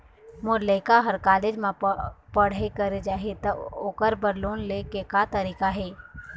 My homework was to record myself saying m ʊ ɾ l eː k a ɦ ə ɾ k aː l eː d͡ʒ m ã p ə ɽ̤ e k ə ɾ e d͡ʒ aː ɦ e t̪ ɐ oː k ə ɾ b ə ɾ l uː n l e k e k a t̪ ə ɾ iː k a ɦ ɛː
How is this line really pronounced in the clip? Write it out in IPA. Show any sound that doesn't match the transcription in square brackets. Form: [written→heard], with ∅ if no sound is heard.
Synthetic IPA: m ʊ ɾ l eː k a ɦ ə ɾ k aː l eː d͡ʒ m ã p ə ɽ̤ e k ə ɾ e d͡ʒ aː ɦ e t̪ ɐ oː k ə ɾ b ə ɾ l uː n l e k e k a t̪ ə ɾ iː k a ɦ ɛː